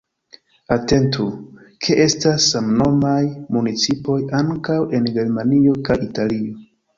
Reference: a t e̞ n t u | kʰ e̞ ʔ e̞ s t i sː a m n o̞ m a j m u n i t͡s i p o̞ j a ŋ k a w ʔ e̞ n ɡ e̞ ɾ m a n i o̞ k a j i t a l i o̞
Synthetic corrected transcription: a t e̞ n t u | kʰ e̞ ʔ e̞ s t a sː a m n o̞ m a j m u n i t͡s i p o̞ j a ŋ k a w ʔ e̞ n ɡ e̞ ɾ m a n i o̞ k a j i t a l i o̞